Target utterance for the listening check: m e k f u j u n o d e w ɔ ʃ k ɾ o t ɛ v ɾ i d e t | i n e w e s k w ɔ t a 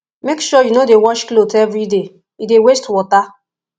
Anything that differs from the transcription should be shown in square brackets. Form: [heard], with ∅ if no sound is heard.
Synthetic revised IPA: m e k [ʃ] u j u n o d e w ɔ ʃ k [l] o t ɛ v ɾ i d e [∅] | i [d] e w e s [t] w ɔ t a